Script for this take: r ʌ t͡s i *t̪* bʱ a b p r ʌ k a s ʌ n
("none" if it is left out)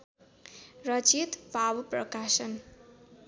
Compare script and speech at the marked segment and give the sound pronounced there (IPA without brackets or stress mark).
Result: t̪